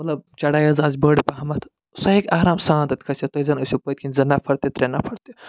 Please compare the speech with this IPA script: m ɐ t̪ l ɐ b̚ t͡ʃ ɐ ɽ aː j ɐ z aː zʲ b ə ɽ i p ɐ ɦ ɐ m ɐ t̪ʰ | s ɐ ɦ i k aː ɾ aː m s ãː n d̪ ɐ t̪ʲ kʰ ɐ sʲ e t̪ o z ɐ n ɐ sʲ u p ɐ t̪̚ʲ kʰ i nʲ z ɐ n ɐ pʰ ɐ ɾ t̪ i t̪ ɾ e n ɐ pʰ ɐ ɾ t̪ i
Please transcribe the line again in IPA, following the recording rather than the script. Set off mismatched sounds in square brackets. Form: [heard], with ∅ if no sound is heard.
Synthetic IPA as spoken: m ɐ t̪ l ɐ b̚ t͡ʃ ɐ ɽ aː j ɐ z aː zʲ b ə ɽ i p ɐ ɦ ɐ m ɐ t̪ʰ | s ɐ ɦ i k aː ɾ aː m s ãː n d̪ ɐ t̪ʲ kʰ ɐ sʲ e t̪ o z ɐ n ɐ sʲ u p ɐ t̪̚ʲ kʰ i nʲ z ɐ n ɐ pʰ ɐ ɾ t̪ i t̪ ɾ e n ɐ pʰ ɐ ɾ t̪ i